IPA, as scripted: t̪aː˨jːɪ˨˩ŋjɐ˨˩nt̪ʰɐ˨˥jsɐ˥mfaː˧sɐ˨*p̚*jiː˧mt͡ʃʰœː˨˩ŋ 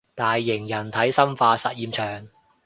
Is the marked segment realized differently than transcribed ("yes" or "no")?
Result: yes